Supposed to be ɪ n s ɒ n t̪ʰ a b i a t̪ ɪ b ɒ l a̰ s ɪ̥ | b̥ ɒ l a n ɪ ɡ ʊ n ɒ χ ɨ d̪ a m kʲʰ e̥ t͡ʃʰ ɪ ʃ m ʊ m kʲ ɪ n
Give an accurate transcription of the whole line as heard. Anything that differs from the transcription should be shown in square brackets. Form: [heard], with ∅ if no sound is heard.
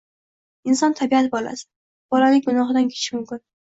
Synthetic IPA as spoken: ɪ n s ɒ n t̪ʰ a b i a t̪ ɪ b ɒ l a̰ s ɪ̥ | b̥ ɒ l a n ɪ ɡ ʊ n ɒ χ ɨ d̪ a [n] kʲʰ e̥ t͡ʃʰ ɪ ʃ m ʊ m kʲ ɪ n